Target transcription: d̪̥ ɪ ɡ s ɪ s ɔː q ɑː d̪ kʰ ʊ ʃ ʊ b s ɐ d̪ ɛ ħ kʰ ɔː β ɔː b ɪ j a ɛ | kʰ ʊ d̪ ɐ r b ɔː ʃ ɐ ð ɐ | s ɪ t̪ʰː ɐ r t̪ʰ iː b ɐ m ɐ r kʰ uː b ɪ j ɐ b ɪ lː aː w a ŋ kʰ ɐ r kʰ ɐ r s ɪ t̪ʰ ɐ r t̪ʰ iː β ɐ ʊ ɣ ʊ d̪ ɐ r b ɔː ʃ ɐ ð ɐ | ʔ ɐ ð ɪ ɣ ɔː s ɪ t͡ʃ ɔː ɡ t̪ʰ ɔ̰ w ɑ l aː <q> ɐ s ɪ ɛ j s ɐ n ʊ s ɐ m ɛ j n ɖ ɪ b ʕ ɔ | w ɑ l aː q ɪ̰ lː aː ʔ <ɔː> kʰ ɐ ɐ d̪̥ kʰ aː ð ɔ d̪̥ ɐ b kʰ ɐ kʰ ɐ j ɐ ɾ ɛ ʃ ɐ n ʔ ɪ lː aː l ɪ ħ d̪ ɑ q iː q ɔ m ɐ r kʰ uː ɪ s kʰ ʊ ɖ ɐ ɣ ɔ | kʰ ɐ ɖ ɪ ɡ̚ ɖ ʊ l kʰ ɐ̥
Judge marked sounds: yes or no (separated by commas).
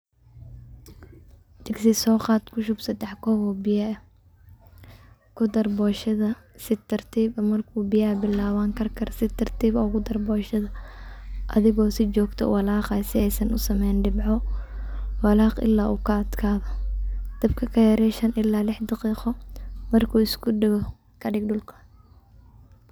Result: yes, no